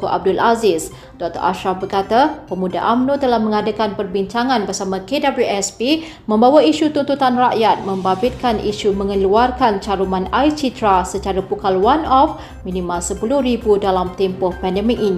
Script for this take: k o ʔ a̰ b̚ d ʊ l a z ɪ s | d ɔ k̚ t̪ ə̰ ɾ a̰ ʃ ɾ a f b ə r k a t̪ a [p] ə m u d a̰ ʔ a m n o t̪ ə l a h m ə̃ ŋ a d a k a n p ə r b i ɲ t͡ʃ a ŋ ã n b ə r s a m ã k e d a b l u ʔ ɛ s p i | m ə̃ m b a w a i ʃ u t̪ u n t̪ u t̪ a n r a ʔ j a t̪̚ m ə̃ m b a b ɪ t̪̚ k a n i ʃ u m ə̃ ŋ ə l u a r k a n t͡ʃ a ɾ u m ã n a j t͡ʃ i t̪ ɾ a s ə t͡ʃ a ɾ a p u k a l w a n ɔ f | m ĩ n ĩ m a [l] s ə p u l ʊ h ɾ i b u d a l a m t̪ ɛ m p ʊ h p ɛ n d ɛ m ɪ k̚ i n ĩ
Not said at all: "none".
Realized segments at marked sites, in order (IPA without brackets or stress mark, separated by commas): p, l